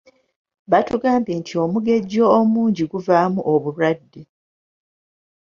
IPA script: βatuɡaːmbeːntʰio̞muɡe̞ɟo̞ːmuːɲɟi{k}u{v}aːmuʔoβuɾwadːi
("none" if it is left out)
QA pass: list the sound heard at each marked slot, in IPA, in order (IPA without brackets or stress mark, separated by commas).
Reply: ɡ, v